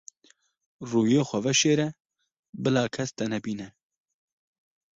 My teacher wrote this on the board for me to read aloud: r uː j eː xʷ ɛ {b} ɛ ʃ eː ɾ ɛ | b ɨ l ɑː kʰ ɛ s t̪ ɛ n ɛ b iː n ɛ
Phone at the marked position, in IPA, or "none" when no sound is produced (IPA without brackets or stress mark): v